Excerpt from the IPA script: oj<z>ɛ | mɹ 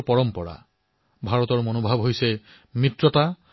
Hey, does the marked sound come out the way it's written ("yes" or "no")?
no